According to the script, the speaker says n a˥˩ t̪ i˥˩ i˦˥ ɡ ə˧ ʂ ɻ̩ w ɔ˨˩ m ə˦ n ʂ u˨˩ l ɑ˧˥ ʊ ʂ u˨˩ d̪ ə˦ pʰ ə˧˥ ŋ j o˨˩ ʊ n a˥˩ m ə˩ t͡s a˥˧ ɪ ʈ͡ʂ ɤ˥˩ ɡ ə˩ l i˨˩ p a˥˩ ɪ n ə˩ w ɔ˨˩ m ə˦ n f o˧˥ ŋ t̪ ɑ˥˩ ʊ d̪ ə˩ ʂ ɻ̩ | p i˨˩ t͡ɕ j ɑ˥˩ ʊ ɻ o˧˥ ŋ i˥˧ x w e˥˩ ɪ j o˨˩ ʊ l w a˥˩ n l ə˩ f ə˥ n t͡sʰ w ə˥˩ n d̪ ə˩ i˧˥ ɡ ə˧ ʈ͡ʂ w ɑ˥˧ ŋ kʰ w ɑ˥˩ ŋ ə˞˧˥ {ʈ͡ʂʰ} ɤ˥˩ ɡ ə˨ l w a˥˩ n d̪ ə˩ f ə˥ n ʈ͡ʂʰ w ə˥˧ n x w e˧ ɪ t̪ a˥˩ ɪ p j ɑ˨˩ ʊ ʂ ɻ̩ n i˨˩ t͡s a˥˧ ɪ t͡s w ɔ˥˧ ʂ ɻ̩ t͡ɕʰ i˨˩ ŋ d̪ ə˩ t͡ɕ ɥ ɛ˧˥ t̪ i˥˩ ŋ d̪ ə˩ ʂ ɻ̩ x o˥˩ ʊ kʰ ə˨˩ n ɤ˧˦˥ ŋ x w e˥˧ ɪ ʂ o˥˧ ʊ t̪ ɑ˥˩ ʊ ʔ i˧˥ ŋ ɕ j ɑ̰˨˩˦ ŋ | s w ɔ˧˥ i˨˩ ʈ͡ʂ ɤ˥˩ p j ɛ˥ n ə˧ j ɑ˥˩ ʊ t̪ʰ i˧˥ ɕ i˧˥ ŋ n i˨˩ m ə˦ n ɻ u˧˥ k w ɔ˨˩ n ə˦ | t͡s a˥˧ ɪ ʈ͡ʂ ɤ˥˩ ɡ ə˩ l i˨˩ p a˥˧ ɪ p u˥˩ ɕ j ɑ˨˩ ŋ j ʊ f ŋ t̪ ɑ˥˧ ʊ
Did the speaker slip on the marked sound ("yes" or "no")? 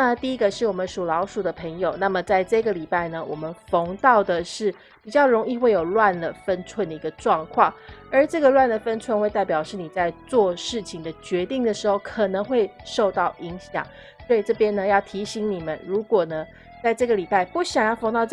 yes